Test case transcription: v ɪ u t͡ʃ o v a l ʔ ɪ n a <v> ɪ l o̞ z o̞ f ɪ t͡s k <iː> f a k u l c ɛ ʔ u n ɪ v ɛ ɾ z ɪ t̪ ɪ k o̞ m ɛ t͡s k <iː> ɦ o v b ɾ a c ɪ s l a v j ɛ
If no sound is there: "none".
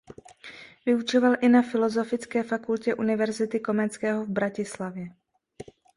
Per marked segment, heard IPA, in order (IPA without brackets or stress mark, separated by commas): f, ɛː, ɛː